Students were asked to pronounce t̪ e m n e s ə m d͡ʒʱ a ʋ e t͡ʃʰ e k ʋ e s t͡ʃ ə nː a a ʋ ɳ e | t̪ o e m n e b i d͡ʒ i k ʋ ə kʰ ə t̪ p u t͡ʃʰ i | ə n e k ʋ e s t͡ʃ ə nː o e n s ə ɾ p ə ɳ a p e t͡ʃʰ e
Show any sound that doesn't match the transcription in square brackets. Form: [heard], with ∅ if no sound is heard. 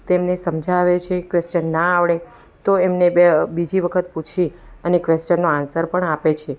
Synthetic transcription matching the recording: t̪ e m n e s ə m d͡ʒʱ a ʋ e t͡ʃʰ e k ʋ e s t͡ʃ ə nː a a ʋ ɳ e | t̪ o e m n e b i d͡ʒ i [∅] ʋ ə kʰ ə t̪ p u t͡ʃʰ i | ə n e k ʋ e s t͡ʃ ə nː o [a] n s ə ɾ p ə ɳ a p e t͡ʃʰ e